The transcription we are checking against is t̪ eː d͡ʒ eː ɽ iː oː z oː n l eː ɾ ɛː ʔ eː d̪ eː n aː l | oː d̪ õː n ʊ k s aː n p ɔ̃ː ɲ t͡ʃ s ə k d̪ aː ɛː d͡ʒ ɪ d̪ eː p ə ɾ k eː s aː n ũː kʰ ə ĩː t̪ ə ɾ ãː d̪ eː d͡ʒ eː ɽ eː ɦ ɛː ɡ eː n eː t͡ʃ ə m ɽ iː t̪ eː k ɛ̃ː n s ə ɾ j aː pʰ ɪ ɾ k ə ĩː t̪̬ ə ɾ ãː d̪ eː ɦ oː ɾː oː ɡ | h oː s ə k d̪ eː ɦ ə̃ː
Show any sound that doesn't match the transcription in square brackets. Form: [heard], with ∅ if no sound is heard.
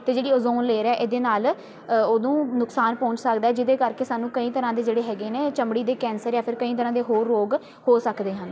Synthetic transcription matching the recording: t̪ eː d͡ʒ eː ɽ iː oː z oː n l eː ɾ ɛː ʔ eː d̪ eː n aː l | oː d̪ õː n ʊ k s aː n p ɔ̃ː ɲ t͡ʃ s ə k d̪ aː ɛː d͡ʒ ɪ d̪ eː [k] ə ɾ k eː s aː n ũː [k] ə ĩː t̪ ə ɾ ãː d̪ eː d͡ʒ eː ɽ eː ɦ ɛː ɡ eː n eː t͡ʃ ə m ɽ iː [d̪] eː k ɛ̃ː n s ə ɾ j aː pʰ ɪ ɾ k ə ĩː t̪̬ ə ɾ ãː d̪ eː ɦ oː ɾː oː ɡ | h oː s ə k d̪ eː ɦ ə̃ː